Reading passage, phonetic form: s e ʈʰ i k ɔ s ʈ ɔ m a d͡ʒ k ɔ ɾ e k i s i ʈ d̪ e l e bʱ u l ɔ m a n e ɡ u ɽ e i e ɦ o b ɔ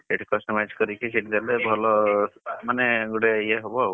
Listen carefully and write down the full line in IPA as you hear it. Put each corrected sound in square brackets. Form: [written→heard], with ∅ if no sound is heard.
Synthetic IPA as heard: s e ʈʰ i k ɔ s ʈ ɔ m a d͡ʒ k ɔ ɾ [e→i] k i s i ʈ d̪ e l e bʱ [u→ɔ] l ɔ m a n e ɡ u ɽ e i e ɦ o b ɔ

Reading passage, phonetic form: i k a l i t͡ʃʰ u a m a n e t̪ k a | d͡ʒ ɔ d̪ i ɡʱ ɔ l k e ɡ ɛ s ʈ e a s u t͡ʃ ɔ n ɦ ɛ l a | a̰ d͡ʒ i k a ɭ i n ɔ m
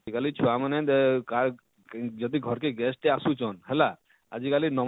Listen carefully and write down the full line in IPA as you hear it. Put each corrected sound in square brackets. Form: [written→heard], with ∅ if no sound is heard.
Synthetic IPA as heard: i k a l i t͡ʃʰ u a m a n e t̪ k a | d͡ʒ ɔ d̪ i ɡʱ ɔ [l→ɾ] k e ɡ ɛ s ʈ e a s u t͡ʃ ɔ n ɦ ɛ l a | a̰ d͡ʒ i k a [ɭ→l] i n ɔ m

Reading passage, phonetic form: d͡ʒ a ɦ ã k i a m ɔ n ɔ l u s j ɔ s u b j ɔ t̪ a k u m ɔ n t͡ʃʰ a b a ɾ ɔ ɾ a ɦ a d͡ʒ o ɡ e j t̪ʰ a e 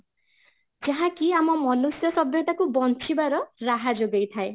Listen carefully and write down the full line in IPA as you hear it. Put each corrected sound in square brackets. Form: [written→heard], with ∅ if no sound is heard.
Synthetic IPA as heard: d͡ʒ a ɦ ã k i a m ɔ [n→m] ɔ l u s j ɔ s [u→ɔ] b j ɔ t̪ a k u [m→b] ɔ n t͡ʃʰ [a→i] b a ɾ ɔ ɾ a ɦ a d͡ʒ o ɡ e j t̪ʰ a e

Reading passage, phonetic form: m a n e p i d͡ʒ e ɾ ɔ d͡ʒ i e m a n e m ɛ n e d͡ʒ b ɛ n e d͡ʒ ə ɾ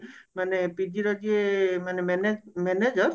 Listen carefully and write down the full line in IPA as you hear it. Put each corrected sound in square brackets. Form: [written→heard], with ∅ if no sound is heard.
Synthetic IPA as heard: m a n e p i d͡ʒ [e→i] ɾ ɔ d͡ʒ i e m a n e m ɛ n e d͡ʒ [b→m] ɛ n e d͡ʒ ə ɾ

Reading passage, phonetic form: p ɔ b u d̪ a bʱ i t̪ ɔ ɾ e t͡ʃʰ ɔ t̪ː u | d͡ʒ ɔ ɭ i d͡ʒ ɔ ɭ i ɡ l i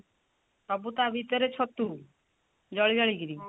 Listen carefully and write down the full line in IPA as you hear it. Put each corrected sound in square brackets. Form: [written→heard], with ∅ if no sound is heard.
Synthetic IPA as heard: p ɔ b u [d̪→t̪] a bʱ i t̪ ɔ ɾ e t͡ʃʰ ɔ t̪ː u | d͡ʒ ɔ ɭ i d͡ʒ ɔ ɭ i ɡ [l→ɾ] i

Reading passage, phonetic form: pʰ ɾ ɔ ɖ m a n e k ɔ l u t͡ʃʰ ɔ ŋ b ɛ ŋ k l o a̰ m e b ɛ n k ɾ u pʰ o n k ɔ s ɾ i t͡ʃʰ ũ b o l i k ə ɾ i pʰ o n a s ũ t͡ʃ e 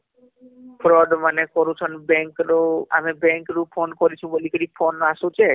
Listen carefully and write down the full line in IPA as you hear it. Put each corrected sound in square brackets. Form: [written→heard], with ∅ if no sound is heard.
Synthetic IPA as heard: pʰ ɾ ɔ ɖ m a n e k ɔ [l→ɾ] u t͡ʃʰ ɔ [ŋ→n] b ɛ ŋ k [l→ɾ] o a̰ m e b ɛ [n→ŋ] k ɾ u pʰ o n k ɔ [s→∅] ɾ i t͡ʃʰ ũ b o l i k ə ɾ i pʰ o n a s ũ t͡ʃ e

